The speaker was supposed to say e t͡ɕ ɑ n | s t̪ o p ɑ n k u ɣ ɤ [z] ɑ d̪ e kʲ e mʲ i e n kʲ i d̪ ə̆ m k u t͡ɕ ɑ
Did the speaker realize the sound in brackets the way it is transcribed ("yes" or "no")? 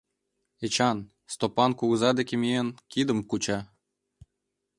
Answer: yes